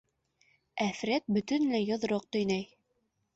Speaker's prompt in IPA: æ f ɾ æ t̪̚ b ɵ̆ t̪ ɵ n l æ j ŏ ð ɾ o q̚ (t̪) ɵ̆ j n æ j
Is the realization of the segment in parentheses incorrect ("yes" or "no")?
no